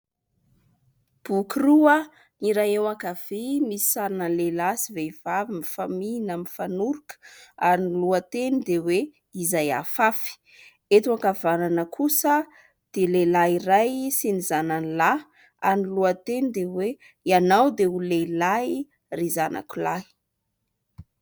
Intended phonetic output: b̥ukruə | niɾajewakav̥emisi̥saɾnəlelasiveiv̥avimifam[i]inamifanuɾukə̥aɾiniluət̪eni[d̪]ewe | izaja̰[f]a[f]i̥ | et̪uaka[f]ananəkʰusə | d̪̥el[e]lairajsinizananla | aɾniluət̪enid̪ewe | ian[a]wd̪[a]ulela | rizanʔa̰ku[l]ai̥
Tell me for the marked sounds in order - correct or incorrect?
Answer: correct, correct, correct, correct, incorrect, correct, correct, incorrect, correct

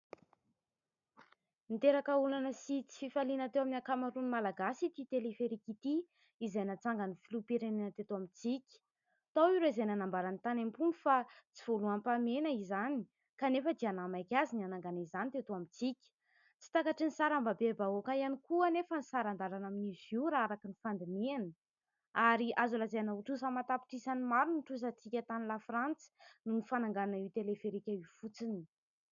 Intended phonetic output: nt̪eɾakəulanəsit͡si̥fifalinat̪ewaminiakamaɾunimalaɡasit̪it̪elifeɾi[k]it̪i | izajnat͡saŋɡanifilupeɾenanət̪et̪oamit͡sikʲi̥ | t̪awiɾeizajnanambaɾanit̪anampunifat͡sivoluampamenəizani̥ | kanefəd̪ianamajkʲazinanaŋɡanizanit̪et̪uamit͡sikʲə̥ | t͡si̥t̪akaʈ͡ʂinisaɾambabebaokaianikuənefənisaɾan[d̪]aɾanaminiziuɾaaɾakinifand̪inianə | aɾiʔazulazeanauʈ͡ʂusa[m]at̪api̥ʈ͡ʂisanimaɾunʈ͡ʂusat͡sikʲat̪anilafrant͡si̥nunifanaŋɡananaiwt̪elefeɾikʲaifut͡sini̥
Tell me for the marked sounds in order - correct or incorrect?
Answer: correct, correct, correct

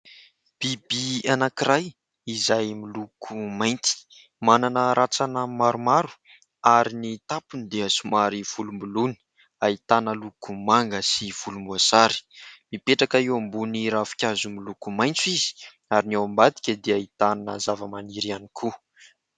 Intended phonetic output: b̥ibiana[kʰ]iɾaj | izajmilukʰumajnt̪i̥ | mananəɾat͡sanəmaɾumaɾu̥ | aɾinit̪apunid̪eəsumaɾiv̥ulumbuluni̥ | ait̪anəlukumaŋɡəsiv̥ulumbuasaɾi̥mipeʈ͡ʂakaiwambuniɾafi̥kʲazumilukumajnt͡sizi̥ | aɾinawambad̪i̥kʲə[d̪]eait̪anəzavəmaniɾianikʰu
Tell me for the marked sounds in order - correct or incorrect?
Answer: incorrect, correct

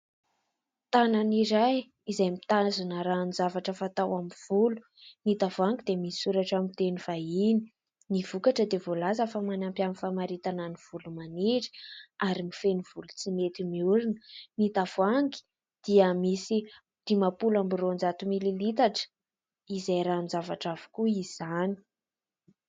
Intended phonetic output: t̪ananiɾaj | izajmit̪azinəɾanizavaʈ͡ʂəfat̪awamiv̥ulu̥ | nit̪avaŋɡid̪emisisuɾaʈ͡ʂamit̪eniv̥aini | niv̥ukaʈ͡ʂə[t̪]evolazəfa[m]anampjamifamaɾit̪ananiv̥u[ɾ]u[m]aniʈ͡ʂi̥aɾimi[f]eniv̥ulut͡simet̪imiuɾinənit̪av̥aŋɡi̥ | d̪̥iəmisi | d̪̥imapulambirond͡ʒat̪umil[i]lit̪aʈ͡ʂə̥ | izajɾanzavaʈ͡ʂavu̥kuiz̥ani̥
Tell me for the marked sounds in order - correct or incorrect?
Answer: incorrect, correct, incorrect, correct, correct, correct

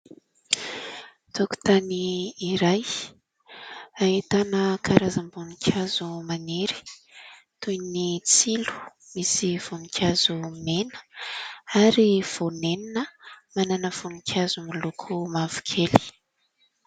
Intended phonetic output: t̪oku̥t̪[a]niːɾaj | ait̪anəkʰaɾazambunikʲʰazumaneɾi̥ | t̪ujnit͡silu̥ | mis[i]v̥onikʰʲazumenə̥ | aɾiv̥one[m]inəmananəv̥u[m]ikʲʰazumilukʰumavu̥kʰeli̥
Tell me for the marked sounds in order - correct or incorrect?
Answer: correct, correct, incorrect, incorrect

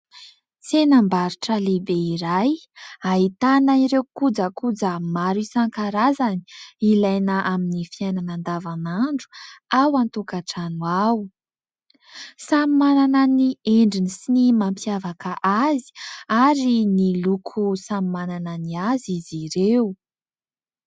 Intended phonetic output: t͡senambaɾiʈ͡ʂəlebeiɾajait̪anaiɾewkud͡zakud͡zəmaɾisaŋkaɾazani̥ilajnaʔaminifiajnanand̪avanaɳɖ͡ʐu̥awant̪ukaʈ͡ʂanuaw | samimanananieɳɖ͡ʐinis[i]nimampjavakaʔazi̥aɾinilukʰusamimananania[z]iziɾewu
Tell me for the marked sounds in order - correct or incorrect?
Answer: correct, correct

